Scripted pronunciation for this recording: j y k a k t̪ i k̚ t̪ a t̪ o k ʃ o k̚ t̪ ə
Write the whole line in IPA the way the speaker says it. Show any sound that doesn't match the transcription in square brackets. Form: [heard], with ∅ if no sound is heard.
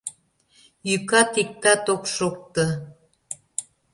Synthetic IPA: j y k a [∅] t̪ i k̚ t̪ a t̪ o k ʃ o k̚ t̪ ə